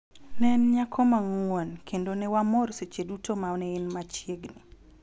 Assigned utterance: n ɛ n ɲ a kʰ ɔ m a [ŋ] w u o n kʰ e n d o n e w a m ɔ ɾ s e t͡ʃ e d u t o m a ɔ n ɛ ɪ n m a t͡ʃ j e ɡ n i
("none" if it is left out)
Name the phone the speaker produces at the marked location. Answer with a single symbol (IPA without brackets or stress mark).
ŋ